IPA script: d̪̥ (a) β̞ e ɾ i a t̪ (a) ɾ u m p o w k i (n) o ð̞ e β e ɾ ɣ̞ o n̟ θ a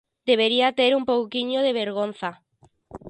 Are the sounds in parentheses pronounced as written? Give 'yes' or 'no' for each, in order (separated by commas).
no, no, no